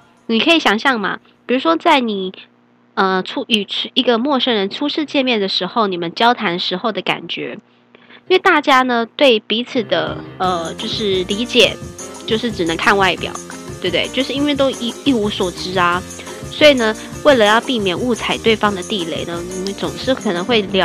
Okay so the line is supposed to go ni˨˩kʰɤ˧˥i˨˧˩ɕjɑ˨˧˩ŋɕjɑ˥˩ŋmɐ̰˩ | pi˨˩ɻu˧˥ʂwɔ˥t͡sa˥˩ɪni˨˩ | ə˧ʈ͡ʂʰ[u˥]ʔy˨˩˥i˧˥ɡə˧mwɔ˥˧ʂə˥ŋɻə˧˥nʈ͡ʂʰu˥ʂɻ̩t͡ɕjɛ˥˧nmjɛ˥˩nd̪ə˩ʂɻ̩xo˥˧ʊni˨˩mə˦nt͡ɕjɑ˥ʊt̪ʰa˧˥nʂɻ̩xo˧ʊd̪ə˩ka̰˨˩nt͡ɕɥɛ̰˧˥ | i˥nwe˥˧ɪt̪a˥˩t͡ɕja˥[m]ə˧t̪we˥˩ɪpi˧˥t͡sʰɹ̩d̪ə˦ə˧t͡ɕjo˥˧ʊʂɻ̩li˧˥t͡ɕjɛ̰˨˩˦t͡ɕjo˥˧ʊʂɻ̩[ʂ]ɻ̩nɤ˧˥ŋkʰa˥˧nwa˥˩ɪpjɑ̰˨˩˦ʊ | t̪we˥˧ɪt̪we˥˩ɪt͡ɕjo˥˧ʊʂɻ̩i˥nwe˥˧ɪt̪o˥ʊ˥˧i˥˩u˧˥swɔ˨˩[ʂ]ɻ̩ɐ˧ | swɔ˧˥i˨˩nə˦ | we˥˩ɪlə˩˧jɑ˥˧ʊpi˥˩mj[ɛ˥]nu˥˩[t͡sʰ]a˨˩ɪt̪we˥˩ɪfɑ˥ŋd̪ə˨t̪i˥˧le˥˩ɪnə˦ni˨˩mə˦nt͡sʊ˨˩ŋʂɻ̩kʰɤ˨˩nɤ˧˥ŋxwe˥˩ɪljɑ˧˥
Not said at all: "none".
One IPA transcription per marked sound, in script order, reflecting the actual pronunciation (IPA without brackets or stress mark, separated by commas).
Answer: u˥, n, ʈ͡ʂ, ʈ͡ʂ, ɛ˨˩, t͡sʰ